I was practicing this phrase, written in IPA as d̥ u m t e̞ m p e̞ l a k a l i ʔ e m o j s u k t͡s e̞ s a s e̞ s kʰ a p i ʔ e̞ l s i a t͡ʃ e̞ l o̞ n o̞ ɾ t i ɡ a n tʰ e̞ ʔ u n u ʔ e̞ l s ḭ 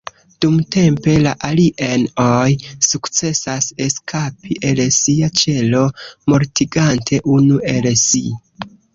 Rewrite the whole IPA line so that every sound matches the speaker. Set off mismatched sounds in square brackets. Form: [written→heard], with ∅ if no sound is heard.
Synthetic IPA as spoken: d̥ u m t e̞ m p e̞ l a [k→ʔ] a l i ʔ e [m→n] o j s u k t͡s e̞ s a s e̞ s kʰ a p i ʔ e̞ l s i a t͡ʃ e̞ l o̞ [n→m] o̞ ɾ t i ɡ a n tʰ e̞ ʔ u n u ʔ e̞ l s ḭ